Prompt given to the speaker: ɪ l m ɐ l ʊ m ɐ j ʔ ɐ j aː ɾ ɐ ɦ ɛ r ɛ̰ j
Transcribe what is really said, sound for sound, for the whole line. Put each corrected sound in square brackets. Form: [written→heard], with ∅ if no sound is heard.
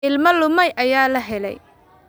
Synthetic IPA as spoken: ɪ l m ɐ l ʊ m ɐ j ʔ ɐ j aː [ɾ→l] ɐ ɦ ɛ [r→l] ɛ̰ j